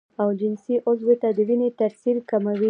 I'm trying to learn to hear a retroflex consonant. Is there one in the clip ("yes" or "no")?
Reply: no